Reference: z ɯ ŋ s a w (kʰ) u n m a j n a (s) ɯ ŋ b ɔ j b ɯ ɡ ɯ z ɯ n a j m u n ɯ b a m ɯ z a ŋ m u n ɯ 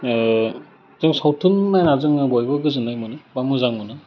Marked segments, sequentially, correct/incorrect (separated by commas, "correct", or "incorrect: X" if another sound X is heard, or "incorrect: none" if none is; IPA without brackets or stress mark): incorrect: tʰ, incorrect: z